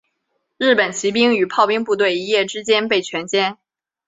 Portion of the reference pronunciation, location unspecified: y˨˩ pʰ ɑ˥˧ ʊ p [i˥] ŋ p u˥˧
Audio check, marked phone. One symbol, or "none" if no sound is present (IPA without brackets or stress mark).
i˥